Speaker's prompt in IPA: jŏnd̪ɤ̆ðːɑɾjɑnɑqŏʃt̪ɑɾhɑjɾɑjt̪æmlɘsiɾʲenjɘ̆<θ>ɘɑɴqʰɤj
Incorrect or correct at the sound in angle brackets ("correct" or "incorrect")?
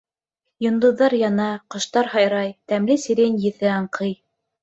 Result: correct